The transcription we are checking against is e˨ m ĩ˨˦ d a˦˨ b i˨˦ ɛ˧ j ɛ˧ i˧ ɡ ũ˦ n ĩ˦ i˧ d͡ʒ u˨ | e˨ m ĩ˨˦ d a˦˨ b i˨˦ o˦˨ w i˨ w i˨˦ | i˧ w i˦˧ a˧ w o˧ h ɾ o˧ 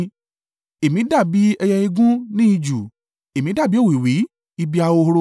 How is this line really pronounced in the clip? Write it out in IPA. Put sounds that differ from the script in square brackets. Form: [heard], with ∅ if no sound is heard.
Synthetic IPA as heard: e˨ m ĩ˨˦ d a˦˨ b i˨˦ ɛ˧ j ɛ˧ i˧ ɡ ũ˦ n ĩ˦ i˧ d͡ʒ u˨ | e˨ m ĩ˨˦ d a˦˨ b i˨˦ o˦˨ w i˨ w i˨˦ | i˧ [b] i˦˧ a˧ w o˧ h ɾ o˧